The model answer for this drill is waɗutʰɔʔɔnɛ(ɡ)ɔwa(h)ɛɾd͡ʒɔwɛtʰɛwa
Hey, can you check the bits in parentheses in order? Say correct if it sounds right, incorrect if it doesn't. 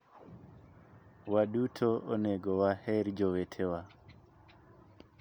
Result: correct, correct

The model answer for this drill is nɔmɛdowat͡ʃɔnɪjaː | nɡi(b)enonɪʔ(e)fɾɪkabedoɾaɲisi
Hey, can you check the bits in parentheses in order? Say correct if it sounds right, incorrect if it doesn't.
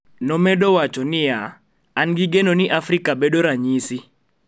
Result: incorrect, incorrect

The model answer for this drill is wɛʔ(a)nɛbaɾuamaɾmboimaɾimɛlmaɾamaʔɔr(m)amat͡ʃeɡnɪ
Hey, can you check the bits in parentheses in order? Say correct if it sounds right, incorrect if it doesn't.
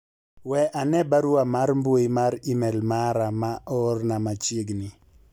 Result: correct, incorrect

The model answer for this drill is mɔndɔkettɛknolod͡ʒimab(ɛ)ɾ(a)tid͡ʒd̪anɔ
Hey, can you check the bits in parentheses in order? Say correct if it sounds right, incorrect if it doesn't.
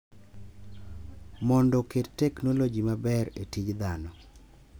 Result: correct, incorrect

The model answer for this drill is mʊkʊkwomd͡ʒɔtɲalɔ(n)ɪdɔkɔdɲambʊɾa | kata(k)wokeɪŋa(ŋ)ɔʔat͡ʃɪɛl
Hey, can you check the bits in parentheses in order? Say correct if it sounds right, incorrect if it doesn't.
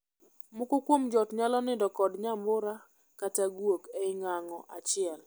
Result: correct, incorrect, correct

